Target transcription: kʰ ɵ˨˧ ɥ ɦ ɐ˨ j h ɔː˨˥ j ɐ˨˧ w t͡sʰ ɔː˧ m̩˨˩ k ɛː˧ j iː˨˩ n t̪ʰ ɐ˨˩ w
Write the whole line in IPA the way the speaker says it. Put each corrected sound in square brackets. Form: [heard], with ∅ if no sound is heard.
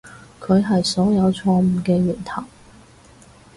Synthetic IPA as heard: kʰ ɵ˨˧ ɥ ɦ ɐ˨ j [s] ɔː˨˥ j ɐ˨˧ w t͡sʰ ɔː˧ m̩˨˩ k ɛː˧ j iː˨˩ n t̪ʰ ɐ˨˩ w